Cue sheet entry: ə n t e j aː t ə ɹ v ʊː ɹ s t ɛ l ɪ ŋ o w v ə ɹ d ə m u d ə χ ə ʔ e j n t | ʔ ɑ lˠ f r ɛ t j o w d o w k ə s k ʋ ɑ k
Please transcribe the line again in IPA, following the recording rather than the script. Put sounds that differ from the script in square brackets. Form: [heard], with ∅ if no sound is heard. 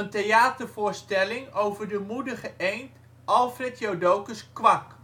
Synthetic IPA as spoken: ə n t e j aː t ə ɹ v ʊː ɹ s t ɛ l ɪ ŋ o w v ə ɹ d ə m u d ə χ ə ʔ e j n t | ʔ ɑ lˠ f r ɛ t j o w d o w k ə s k ʋ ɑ k